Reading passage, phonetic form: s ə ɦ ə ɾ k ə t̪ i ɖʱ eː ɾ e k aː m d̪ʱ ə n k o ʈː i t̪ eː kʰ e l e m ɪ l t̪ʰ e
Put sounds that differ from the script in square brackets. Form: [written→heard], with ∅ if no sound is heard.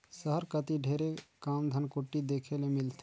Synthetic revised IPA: s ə ɦ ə ɾ k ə t̪ i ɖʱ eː ɾ e k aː m d̪ʱ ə n k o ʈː i [t̪→d̪] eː kʰ e l e m ɪ l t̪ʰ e

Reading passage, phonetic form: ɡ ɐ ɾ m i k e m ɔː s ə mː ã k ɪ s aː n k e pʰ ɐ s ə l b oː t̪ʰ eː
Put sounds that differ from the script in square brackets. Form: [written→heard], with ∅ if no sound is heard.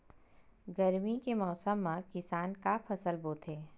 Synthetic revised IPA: ɡ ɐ ɾ m i k e m ɔː s ə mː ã k ɪ s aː n k [e→a] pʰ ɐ s ə l b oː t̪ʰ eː

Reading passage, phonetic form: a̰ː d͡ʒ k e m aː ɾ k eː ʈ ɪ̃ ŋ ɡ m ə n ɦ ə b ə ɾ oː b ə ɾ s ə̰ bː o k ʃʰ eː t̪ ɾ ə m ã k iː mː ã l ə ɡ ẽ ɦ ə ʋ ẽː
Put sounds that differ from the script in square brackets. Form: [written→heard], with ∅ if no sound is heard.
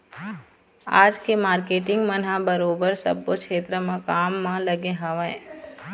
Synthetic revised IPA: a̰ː d͡ʒ k e m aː ɾ k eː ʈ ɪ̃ ŋ ɡ m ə n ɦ [ə→a] b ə ɾ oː b ə ɾ s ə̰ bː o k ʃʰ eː t̪ ɾ ə m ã k [iː→aː] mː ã l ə ɡ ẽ ɦ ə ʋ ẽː

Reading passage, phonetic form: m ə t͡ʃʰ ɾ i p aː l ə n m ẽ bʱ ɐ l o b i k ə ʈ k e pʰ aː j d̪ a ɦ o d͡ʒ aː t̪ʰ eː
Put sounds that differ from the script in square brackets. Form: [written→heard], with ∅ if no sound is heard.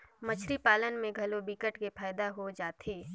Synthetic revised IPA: m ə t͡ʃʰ ɾ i p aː l ə n m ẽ [bʱ→ɡʱ] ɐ l o b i k ə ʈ k e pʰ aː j d̪ a ɦ o d͡ʒ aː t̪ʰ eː

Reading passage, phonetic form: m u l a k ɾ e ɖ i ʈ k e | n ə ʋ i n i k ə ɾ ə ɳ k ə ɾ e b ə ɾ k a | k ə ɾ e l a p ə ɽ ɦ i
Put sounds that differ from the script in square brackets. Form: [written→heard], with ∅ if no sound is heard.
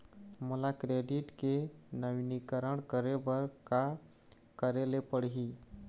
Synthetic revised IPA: m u l a k ɾ e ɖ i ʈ k e | n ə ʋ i n i k ə ɾ ə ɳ k ə ɾ e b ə ɾ k a | k ə ɾ e l [a→e] p ə ɽ ɦ i

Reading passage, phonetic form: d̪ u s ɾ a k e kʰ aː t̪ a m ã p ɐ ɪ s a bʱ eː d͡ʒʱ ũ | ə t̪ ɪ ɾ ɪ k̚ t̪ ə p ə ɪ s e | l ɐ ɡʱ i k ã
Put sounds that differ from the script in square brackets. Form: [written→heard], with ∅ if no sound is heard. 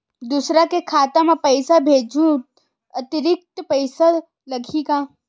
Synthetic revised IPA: d̪ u s ɾ a k e kʰ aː t̪ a m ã p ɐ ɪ s a bʱ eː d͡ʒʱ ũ | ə t̪ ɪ ɾ ɪ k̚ t̪ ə p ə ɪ s [e→a] | l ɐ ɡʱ i k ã

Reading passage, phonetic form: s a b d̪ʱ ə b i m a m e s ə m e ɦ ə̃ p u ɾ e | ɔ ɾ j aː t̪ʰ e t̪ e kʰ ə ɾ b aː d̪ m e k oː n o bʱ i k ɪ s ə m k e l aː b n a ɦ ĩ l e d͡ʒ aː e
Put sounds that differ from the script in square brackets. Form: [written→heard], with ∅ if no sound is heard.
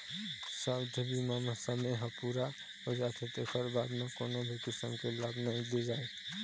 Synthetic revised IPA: s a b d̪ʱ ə b i m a m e s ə m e ɦ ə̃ p u ɾ [e→a] | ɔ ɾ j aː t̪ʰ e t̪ e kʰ ə ɾ b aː d̪ m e k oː n o bʱ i k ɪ s ə m k e l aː b n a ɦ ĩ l e d͡ʒ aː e

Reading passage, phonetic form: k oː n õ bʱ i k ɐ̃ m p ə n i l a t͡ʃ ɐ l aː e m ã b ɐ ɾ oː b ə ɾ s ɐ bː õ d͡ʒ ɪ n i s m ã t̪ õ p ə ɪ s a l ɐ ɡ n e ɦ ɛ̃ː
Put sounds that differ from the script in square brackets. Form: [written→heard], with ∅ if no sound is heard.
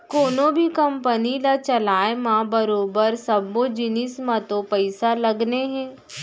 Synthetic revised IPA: k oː n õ bʱ i k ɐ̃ m p ə n i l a t͡ʃ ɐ l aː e m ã b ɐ ɾ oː b ə ɾ s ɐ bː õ d͡ʒ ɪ n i s m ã t̪ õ p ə ɪ s a l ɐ ɡ n e ɦ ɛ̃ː

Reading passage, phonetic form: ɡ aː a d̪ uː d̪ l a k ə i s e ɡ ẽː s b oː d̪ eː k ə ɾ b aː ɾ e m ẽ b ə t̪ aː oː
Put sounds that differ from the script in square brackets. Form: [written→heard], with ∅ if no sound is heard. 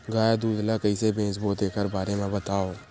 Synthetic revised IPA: ɡ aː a d̪ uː d̪ l a k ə i s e [ɡ→b] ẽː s b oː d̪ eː k ə ɾ b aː ɾ e m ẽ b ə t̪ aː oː

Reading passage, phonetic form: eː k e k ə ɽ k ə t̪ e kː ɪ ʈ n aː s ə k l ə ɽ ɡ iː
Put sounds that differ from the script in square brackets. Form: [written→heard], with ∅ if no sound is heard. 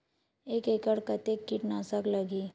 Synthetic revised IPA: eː k e k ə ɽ k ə t̪ e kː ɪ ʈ n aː s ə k l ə [ɽ→∅] ɡ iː

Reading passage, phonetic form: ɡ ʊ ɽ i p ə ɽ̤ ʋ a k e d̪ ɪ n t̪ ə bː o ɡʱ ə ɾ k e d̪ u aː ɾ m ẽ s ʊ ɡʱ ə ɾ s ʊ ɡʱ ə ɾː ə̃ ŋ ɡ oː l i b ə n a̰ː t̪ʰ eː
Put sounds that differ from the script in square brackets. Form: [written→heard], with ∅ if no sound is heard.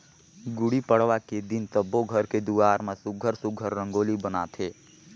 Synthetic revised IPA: ɡ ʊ ɽ i p ə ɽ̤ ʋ a k e d̪ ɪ n t̪ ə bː o ɡʱ ə ɾ k e d̪ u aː ɾ m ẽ s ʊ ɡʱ ə ɾ s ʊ ɡʱ ə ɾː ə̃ ŋ ɡ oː l i b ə n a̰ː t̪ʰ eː

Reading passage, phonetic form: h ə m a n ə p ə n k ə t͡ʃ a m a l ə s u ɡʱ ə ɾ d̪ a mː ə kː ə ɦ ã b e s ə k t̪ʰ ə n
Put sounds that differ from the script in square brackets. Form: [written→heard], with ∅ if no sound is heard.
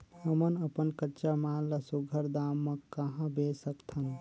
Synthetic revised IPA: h ə m [a→ə] n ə p ə n k ə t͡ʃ a m a l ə s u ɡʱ ə ɾ d̪ a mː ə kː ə ɦ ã b e s ə k t̪ʰ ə n

